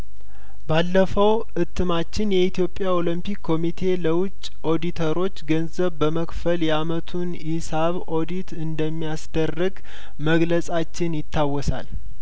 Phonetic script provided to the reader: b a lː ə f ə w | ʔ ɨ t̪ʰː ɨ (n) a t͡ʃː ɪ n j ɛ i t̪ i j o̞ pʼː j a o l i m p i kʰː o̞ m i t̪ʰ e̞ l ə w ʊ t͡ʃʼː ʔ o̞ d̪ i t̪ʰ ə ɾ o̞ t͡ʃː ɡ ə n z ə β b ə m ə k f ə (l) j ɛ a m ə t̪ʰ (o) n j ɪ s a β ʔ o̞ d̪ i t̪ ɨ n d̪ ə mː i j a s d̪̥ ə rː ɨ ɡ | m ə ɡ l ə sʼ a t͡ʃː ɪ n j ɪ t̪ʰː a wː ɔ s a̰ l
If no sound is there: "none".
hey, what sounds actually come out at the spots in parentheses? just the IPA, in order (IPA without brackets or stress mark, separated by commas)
m, l, u